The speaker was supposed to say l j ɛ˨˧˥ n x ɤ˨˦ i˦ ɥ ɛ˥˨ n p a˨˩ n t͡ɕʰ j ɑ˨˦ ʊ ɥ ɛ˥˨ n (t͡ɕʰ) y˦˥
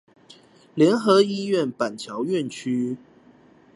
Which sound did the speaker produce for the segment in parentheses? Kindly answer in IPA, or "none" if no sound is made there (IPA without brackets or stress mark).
t͡ɕʰ